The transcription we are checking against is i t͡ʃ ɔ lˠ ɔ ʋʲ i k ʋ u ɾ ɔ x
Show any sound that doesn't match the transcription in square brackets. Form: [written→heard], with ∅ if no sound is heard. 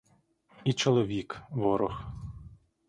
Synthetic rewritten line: i t͡ʃ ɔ lˠ ɔ ʋʲ i k ʋ [u→ɔ] ɾ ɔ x